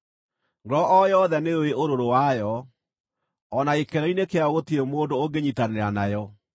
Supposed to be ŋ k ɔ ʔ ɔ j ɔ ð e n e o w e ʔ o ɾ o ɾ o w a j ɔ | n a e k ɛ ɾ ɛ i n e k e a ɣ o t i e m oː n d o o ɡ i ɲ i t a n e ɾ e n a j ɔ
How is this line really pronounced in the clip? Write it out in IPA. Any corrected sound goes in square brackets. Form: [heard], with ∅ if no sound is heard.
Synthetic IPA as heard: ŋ [ɡ] ɔ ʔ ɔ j ɔ ð [ɛ] n e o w e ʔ o ɾ o ɾ o w a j ɔ | n a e k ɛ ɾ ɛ i n e k e a ɣ o t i e m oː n d o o ɡ [e] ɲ i t a n e ɾ [a] n a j ɔ

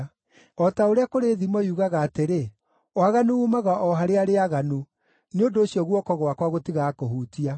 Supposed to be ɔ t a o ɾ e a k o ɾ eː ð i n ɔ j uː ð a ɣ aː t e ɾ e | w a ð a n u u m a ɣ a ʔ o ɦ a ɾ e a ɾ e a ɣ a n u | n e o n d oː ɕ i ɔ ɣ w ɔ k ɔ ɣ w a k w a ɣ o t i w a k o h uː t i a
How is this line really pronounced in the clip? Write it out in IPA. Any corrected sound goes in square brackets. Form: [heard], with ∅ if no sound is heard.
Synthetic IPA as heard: ɔ t a o ɾ e a k o ɾ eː ð i [m] ɔ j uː [ɣ] a ɣ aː t e ɾ e | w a [ɣ] a n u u m a ɣ a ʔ [ɔ] ɦ a ɾ e a ɾ e a ɣ a n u | n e o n d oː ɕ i ɔ ɣ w ɔ k ɔ ɣ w a k w a ɣ o t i [ɣ] a k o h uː t i a

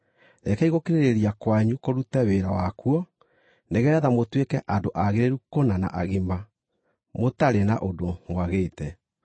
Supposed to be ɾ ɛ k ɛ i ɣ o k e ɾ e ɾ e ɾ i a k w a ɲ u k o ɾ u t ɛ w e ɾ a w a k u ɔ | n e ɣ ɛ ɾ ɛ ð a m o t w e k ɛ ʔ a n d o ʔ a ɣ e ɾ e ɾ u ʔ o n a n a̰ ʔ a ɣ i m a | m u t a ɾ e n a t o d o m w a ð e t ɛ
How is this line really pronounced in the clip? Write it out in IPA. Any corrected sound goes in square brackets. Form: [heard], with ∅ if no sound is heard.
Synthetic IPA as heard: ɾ ɛ k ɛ i ɣ o k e ɾ e ɾ e ɾ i a k w a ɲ u k o ɾ u t ɛ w e ɾ a w a k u ɔ | n e ɣ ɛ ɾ ɛ ð a m o t w e k ɛ ʔ a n d o ʔ a ɣ e ɾ e ɾ u [k] o n a n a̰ ʔ a ɣ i m a | m [o] t a ɾ e n a [ʔ] o d o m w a [ɣ] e t ɛ

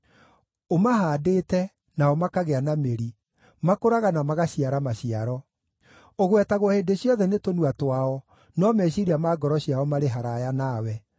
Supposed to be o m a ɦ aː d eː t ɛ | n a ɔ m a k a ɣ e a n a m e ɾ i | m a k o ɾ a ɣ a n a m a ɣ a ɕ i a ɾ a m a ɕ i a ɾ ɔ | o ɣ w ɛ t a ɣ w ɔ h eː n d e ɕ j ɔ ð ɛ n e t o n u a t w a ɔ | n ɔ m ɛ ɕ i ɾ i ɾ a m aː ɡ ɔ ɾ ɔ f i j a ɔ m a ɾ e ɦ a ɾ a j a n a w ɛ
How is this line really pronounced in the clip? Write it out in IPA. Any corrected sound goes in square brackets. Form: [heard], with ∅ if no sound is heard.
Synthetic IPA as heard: o m a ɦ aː d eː t ɛ | n a ɔ m a k a ɣ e a n a m e ɾ i | m a k o ɾ a ɣ a n a m a ɣ a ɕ i a ɾ a m a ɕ i a ɾ ɔ | o ɣ w ɛ t a ɣ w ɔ h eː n d e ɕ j ɔ ð ɛ n e t o n u a t w a ɔ | n ɔ m ɛ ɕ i ɾ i [∅] a m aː ɡ ɔ ɾ ɔ [ɕ] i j a ɔ m a ɾ e ɦ a ɾ a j a n a w ɛ

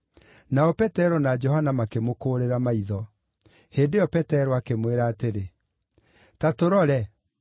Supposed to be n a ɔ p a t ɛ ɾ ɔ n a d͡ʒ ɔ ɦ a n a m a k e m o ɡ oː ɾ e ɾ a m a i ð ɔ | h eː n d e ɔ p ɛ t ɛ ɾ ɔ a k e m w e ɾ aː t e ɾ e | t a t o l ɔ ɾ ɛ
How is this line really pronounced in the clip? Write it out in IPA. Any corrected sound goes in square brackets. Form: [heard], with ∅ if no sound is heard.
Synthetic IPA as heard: n a ɔ p [ɛ] t ɛ ɾ ɔ n a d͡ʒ ɔ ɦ a n a m a k e m o [k] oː ɾ e ɾ a m a i ð ɔ | h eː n d e ɔ p ɛ t ɛ ɾ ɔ a k e m w e ɾ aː t e ɾ e | t a t o [ɾ] ɔ ɾ ɛ

